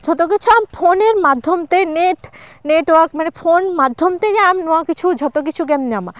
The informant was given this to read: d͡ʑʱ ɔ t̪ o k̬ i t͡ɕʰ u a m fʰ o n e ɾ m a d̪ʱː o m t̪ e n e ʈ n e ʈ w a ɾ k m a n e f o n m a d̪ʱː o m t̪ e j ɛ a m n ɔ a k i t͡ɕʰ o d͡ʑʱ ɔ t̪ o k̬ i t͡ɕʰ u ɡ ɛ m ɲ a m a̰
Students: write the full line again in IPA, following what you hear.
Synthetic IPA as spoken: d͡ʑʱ ɔ t̪ o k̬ i t͡ɕʰ u a m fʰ o n e ɾ m a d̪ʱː o m t̪ e n e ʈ n e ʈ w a ɾ k m a n e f o n m a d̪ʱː o m t̪ e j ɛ a m n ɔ a k i t͡ɕʰ u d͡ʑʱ ɔ t̪ o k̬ i t͡ɕʰ u ɡ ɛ m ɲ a m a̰